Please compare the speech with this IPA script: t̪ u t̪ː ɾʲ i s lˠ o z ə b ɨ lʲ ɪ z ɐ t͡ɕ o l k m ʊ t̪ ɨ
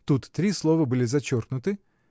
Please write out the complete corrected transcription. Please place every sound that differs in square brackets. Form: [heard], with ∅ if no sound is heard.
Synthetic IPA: t̪ u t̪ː ɾʲ i s lˠ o [v] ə b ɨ lʲ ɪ z ɐ t͡ɕ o [r] k [n] ʊ t̪ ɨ